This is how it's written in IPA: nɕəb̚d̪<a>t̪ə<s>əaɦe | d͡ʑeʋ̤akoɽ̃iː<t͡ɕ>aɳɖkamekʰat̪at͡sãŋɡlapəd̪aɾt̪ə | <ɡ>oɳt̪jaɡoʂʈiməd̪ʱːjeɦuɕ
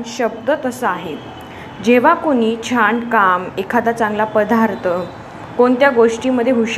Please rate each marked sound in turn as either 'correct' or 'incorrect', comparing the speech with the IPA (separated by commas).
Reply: incorrect, correct, incorrect, incorrect